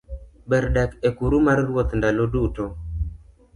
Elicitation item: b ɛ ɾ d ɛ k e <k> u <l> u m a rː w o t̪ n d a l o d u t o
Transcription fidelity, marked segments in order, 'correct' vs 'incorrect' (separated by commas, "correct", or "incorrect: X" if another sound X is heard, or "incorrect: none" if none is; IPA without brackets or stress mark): correct, incorrect: ɾ